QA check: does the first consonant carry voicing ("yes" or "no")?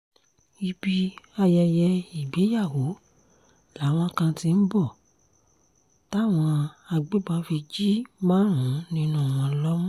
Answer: yes